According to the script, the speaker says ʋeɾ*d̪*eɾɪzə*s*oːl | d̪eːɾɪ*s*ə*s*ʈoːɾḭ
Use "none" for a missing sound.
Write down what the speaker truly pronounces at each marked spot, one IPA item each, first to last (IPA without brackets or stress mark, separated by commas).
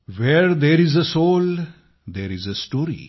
d̪, s, z, s